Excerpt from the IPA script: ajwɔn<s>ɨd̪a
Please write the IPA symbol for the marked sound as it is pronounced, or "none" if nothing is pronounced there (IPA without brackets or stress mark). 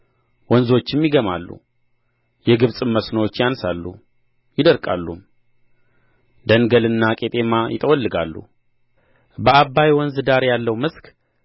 z